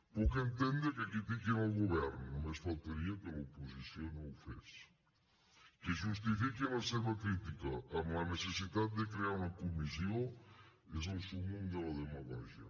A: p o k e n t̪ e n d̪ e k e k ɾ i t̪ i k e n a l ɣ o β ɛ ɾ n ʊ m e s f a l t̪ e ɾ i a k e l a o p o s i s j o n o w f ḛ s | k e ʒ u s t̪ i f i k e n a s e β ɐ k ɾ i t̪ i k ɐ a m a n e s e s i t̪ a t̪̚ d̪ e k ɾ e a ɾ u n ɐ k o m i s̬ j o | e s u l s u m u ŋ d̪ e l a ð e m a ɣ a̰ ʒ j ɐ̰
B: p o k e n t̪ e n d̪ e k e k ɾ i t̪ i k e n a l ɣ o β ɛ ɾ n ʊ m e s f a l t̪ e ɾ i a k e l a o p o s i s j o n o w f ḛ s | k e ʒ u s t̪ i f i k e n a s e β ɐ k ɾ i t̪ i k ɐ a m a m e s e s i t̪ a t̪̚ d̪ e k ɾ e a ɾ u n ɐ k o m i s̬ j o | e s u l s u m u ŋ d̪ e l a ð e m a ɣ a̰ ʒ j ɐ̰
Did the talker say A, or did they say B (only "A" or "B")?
A